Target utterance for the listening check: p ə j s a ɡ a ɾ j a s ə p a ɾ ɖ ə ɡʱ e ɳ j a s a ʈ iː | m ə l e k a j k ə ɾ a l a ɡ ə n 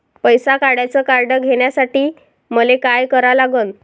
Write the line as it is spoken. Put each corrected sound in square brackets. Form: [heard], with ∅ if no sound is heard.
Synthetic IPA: p ə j s a [k] a [ɽ] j a [t͡s] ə [k] a ɾ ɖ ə ɡʱ e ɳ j a s a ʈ iː | m ə l e k a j k ə ɾ a l a ɡ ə n